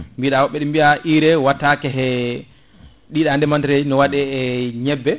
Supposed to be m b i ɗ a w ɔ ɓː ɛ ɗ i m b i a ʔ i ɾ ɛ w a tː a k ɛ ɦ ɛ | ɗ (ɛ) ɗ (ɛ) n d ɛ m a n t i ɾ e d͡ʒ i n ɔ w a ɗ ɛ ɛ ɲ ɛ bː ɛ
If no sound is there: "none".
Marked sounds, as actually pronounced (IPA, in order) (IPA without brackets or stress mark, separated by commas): i, a